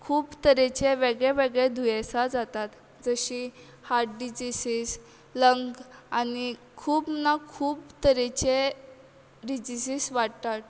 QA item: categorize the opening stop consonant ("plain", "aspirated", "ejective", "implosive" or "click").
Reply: aspirated